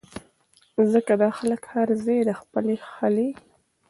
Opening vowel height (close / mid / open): mid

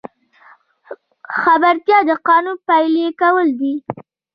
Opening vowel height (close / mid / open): open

